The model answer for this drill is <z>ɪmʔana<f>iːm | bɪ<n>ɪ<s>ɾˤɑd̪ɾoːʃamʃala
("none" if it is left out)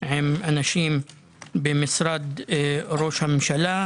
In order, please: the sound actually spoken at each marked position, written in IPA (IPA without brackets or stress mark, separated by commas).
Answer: ʕ, ʃ, m, s